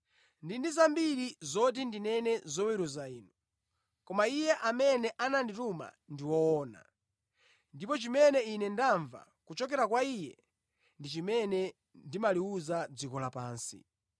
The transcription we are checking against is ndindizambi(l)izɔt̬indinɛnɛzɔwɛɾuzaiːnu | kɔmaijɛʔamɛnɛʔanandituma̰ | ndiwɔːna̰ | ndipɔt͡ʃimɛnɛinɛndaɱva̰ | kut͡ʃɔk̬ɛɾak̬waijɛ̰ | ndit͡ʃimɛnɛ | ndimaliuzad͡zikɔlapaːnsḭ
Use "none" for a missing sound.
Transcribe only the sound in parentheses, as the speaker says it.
ɾ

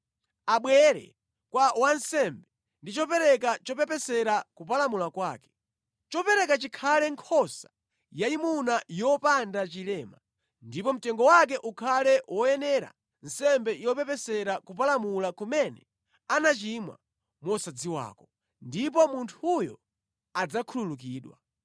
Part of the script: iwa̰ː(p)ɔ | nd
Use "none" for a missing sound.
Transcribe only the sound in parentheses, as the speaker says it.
k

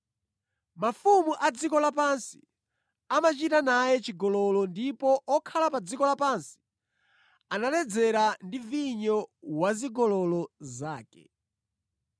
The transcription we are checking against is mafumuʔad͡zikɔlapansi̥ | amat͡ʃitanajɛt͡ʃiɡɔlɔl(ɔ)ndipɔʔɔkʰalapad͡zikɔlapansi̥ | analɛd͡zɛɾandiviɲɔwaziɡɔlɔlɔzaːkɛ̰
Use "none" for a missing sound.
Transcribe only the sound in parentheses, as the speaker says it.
ɔ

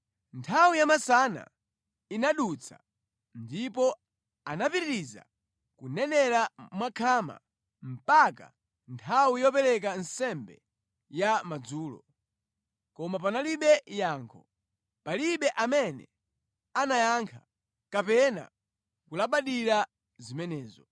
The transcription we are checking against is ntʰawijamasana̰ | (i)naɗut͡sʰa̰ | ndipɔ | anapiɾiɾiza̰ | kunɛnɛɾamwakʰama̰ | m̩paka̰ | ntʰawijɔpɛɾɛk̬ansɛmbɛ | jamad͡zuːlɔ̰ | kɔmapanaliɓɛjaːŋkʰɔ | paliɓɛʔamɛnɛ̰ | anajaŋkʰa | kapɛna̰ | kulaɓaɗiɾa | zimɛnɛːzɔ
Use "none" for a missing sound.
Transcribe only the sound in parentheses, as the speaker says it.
i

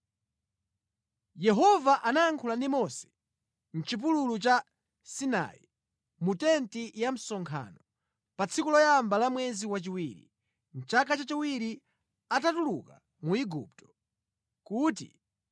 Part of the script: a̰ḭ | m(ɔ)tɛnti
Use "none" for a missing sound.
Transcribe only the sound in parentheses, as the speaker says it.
u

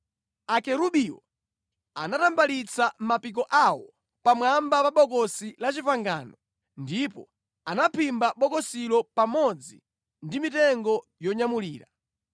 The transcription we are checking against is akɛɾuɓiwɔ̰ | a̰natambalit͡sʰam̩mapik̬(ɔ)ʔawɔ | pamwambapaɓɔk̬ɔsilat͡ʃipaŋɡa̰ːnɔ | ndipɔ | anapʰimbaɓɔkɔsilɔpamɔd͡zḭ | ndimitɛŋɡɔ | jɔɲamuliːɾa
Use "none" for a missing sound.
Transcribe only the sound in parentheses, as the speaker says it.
ɔ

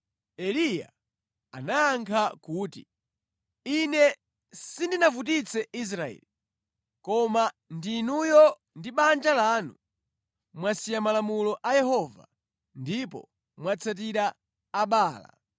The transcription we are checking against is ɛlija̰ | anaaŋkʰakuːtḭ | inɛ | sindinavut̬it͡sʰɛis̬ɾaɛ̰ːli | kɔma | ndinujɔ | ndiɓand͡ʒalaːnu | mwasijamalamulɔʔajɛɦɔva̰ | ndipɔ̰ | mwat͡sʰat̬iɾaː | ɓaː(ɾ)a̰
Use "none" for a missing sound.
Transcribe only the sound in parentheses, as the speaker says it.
l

